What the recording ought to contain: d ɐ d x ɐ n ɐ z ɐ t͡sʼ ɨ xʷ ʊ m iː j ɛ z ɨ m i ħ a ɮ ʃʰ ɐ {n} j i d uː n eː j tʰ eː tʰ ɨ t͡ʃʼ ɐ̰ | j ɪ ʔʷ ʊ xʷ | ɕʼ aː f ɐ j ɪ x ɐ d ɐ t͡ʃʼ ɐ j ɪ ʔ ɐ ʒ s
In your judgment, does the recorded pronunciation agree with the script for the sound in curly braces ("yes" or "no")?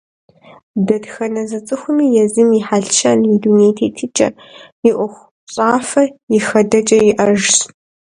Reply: yes